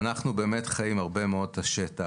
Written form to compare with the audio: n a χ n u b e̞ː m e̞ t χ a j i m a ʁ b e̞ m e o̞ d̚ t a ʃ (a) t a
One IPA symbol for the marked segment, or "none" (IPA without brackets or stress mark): e